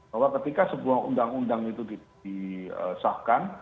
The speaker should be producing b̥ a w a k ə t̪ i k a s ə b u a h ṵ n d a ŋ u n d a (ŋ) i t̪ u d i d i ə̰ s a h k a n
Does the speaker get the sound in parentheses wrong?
no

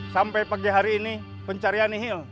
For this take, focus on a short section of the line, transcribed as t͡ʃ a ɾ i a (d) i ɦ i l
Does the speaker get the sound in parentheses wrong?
yes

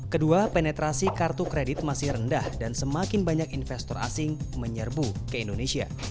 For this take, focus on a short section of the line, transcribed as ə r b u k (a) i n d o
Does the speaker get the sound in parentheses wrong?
yes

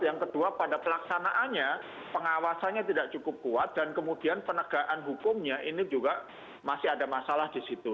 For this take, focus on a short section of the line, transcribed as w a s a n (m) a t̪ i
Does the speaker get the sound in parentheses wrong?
yes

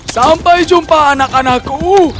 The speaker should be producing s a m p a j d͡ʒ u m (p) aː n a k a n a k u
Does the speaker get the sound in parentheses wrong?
no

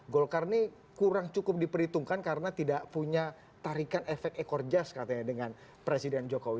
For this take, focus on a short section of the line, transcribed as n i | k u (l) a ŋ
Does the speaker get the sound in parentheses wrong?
yes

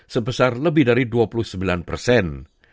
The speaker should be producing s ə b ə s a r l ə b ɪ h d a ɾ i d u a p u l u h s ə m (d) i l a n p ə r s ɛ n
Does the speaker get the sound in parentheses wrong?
yes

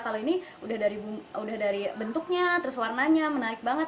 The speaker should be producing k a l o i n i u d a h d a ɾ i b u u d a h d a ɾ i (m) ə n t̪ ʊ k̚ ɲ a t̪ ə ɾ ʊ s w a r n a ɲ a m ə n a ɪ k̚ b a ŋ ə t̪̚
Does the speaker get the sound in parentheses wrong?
yes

